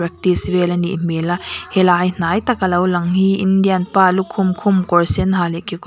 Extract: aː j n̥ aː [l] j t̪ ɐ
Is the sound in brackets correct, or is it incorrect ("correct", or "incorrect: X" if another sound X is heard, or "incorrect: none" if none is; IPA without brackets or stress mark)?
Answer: incorrect: none